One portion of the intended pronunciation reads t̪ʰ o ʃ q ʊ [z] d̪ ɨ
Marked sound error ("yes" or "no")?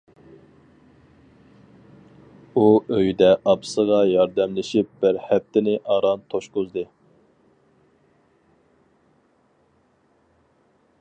no